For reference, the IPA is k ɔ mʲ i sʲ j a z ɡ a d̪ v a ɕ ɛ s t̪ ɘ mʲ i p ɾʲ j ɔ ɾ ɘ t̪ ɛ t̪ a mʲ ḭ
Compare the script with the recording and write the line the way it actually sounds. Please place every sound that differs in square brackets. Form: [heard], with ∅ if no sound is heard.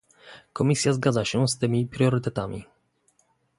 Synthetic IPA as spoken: k ɔ mʲ i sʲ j a z ɡ a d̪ [z] a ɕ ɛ s t̪ ɘ mʲ i p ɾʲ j ɔ ɾ ɘ t̪ ɛ t̪ a mʲ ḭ

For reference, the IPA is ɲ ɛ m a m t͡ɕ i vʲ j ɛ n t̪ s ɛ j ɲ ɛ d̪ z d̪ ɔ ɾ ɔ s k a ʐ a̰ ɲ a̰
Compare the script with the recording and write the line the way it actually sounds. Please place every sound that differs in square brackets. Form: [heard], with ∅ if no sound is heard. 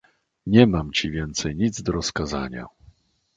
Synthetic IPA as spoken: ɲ ɛ m a m t͡ɕ i vʲ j ɛ n t̪ s ɛ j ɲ [i] d̪ z d̪ ɔ ɾ ɔ s k a [z] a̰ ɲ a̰

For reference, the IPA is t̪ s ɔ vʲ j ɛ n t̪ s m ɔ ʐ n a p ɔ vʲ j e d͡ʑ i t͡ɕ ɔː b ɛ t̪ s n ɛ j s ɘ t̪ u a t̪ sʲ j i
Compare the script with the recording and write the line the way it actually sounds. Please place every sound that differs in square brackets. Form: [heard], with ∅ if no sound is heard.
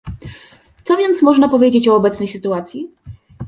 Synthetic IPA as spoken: t̪ s ɔ vʲ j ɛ n t̪ s m ɔ ʐ n a p ɔ vʲ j e d͡ʑ [e] t͡ɕ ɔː b ɛ t̪ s n ɛ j s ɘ t̪ u a t̪ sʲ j i

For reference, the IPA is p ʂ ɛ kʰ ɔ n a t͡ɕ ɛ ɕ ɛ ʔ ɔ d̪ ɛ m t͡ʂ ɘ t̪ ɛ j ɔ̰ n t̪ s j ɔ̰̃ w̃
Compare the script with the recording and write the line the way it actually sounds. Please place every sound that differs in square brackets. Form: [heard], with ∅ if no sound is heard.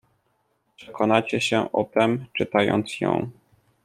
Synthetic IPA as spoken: p ʂ ɛ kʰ ɔ n a t͡ɕ ɛ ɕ ɛ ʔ ɔ [t̪] ɛ m t͡ʂ ɘ t̪ [a] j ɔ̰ n t̪ s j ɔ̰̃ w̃

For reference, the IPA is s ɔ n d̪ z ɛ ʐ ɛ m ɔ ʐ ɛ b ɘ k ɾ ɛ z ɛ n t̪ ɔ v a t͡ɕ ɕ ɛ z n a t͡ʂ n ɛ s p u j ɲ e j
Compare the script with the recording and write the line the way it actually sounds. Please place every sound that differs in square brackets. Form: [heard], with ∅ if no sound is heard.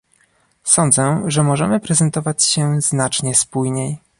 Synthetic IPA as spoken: s ɔ n d̪ z ɛ ʐ ɛ m ɔ ʐ ɛ [m] ɘ [p] ɾ ɛ z ɛ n t̪ ɔ v a t͡ɕ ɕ ɛ z n a t͡ʂ [ɲ] ɛ s p u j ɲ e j

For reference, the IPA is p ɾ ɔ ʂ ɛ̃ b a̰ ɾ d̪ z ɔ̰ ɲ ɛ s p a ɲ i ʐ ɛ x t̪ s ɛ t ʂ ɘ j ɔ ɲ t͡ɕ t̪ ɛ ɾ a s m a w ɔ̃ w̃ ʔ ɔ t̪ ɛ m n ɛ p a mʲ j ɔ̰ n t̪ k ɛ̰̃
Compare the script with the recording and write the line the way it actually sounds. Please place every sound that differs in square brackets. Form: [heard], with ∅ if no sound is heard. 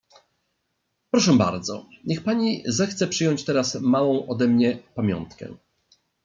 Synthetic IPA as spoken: p ɾ ɔ ʂ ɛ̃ b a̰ ɾ d̪ z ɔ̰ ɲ ɛ [x] p a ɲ i [z] ɛ x t̪ s ɛ [p] ʂ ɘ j ɔ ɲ t͡ɕ t̪ ɛ ɾ a s m a w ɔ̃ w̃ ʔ ɔ [d̪] ɛ m [ɲ] ɛ p a mʲ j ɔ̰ n t̪ k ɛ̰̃

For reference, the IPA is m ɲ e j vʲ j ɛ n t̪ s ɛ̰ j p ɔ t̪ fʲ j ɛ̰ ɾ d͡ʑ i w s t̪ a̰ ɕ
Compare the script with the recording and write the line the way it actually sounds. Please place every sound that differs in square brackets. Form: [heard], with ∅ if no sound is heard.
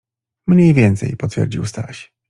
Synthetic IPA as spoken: m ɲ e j vʲ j ɛ n t̪ s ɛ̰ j p ɔ t̪ fʲ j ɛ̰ ɾ d͡ʑ i w s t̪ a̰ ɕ

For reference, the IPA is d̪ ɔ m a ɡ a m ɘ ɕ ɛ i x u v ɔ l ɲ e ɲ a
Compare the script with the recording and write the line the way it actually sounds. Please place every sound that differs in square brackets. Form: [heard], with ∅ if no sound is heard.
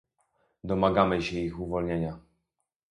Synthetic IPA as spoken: d̪ ɔ m a ɡ a m ɘ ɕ ɛ i x u v ɔ l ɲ e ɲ a

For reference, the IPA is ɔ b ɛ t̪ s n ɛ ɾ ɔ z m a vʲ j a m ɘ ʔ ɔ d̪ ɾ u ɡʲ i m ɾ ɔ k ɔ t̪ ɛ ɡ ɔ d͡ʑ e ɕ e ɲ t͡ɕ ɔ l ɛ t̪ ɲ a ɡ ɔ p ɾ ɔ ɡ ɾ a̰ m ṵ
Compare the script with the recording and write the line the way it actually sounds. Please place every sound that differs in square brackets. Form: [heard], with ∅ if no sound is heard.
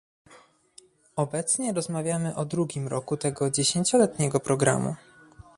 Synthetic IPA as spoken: ɔ b ɛ t̪ s [ɲ] ɛ ɾ ɔ z m a vʲ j a m ɘ ʔ ɔ d̪ ɾ u ɡʲ i m ɾ ɔ k [u] t̪ ɛ ɡ ɔ d͡ʑ e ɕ e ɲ t͡ɕ ɔ l ɛ t̪ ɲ [ɛ] ɡ ɔ p ɾ ɔ ɡ ɾ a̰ m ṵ

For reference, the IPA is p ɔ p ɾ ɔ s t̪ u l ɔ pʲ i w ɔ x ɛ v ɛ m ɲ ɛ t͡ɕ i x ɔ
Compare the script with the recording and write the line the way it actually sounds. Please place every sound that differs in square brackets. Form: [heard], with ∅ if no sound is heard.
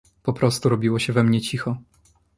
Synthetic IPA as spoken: p ɔ p ɾ ɔ s t̪ u [ɾ] ɔ [bʲ] i w ɔ [ɕ] ɛ v ɛ m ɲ ɛ t͡ɕ i x ɔ

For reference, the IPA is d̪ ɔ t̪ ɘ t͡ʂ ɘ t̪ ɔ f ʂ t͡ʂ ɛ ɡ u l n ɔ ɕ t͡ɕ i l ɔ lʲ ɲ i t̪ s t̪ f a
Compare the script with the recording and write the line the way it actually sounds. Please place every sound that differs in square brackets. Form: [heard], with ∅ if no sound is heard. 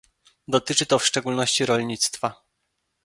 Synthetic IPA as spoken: d̪ ɔ t̪ ɘ t͡ʂ ɘ t̪ ɔ f ʂ t͡ʂ ɛ ɡ u l n ɔ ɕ t͡ɕ i [ɾ] ɔ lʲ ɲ i t̪ s t̪ f a

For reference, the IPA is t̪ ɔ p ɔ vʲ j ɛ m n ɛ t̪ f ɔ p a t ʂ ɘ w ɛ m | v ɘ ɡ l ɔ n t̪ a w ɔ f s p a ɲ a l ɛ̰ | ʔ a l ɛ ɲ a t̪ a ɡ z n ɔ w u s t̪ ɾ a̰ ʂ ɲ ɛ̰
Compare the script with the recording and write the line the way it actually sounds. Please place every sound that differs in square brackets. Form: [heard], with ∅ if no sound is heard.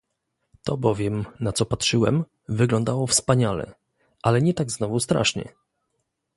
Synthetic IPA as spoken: t̪ ɔ [b] ɔ vʲ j ɛ m n [a] t̪ [s] ɔ p a t ʂ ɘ w ɛ m | v ɘ ɡ l ɔ n [d̪] a w ɔ f s p a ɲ a l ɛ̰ | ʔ a l ɛ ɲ [ɛ] t̪ a ɡ z n ɔ [v] u s t̪ ɾ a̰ ʂ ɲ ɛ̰

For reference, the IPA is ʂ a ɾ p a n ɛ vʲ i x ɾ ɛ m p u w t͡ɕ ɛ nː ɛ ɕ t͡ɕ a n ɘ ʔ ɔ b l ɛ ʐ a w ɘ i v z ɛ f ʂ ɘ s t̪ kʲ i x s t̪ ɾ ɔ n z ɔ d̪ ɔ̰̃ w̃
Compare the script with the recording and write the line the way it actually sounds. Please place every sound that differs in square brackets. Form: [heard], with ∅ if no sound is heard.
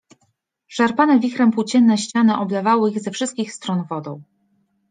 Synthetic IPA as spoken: ʂ a ɾ p a n ɛ vʲ i x ɾ ɛ m p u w t͡ɕ ɛ nː ɛ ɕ t͡ɕ a n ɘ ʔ ɔ b l ɛ [v] a w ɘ i [ɣ] z ɛ f ʂ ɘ s t̪ kʲ i x s t̪ ɾ ɔ n [v] ɔ d̪ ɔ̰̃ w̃

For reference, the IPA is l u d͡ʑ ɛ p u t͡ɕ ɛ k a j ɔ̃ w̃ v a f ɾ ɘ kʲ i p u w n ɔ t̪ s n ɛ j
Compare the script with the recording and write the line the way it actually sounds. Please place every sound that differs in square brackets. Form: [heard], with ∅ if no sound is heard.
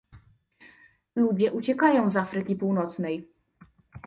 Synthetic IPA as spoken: l u d͡ʑ ɛ [ʔ] u t͡ɕ ɛ k a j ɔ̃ w̃ [z] a f ɾ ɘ kʲ i p u w n ɔ t̪ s n ɛ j

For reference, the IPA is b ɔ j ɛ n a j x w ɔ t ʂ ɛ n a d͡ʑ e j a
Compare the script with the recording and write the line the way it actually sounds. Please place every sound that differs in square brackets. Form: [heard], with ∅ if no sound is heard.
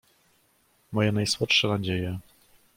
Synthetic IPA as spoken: [m] ɔ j ɛ n a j [s] w ɔ t ʂ ɛ n a d͡ʑ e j [ɛ]

